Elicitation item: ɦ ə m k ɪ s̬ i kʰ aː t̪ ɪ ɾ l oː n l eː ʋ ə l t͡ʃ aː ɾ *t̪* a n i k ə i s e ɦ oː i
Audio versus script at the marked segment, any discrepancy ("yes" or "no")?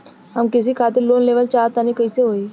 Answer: no